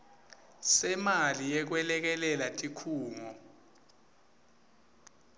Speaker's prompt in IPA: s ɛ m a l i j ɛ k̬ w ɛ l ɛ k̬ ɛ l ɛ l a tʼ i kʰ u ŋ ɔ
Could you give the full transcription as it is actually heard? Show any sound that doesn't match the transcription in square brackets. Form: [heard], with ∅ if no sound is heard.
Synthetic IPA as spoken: s ɛ m a l i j ɛ k̬ w ɛ l ɛ k̬ ɛ l ɛ l a tʼ i kʰ [uː] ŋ ɔ